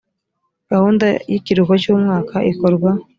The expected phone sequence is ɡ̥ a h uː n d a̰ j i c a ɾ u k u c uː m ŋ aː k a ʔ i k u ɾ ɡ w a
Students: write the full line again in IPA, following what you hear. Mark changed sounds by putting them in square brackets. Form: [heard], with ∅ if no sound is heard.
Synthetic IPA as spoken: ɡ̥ a h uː n d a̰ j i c [i] ɾ u k [o] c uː m ŋ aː k a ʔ i k [o] ɾ ɡ w a